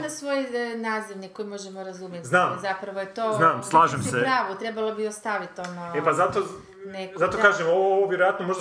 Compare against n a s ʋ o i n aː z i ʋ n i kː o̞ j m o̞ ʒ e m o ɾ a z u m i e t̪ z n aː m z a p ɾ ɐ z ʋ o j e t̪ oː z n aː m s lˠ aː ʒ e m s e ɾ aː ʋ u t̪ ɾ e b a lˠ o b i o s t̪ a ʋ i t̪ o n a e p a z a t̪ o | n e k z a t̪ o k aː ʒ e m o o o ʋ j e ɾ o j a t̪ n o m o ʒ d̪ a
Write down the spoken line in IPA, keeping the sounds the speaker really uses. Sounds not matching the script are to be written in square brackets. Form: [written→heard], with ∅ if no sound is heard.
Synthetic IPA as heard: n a s ʋ o [i→j] n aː z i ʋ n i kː o̞ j m o̞ ʒ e m o ɾ a z u m [i→j] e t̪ z n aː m z a p ɾ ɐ [z→∅] ʋ o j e t̪ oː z n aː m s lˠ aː ʒ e m s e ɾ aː ʋ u t̪ ɾ e b a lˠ o b i o s t̪ a ʋ i t̪ o n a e p a z a t̪ o | n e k z a t̪ o k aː ʒ e m o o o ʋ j e ɾ o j a t̪ n o m o ʒ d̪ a